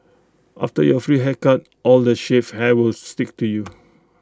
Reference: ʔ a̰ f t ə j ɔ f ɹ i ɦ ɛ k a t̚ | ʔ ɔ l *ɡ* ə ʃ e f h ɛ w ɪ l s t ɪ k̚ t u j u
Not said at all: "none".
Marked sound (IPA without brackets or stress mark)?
d